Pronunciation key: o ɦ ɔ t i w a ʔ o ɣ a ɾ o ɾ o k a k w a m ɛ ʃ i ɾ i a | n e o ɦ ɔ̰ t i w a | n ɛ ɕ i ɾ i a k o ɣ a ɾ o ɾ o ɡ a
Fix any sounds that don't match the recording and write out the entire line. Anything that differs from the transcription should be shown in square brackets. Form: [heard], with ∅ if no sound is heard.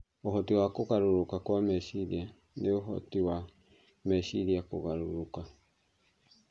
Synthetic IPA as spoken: o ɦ ɔ t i w a [k] o ɣ a ɾ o ɾ o k a k w a m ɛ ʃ i ɾ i a | n e o ɦ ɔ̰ t i w a | [m] ɛ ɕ i ɾ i a k o ɣ a ɾ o ɾ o [k] a